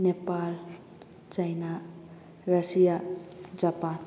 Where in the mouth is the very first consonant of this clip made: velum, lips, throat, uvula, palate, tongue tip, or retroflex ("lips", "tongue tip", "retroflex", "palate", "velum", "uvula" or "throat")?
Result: tongue tip